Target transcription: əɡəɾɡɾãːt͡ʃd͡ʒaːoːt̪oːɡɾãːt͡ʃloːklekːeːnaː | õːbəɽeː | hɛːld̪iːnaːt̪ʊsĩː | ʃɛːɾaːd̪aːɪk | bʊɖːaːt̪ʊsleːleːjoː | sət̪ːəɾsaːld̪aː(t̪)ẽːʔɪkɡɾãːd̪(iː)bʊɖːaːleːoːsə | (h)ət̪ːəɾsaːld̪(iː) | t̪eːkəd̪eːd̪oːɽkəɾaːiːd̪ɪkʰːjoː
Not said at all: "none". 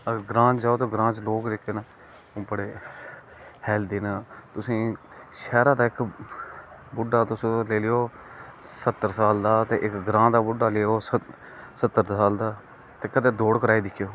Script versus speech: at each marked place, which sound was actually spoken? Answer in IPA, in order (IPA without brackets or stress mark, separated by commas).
t̪, aː, s, aː